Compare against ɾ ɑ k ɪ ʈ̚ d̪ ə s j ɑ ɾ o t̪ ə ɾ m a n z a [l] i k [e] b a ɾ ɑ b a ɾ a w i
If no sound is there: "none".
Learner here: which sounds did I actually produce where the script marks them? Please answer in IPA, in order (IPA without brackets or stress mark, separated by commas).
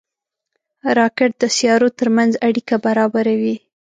ɽ, a